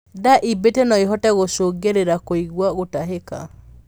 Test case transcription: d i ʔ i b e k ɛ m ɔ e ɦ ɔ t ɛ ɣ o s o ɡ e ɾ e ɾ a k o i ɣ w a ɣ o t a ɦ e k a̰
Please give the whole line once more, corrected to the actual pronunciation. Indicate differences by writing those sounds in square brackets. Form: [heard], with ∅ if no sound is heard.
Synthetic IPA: d [a] ʔ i b e [t] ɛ [n] ɔ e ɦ ɔ t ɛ ɣ o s o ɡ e ɾ e ɾ a k o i ɣ w a ɣ o t a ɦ e k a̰